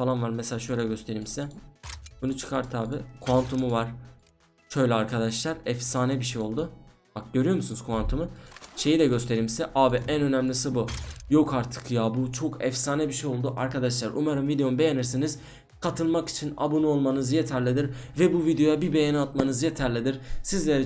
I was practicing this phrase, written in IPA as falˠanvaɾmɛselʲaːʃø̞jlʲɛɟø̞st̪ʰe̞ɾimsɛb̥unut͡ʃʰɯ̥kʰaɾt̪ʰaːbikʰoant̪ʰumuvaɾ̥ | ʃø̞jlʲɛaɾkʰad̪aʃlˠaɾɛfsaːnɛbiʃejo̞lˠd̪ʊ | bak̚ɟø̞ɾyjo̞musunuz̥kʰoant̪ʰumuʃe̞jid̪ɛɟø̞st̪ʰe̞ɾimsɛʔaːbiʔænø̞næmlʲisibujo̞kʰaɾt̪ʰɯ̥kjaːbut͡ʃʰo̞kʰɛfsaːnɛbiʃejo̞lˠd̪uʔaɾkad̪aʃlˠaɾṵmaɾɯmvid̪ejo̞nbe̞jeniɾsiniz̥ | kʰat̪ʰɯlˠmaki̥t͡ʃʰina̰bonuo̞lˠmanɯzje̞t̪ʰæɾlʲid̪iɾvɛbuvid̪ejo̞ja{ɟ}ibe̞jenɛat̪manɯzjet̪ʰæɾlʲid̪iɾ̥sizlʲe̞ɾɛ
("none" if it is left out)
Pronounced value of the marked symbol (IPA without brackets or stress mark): b